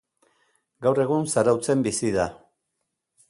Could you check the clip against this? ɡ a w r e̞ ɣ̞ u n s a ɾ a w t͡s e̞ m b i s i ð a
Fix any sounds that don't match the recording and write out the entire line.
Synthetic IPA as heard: ɡ a w r e̞ ɣ̞ u n s a ɾ a w t͡s e̞ m b i s i ð a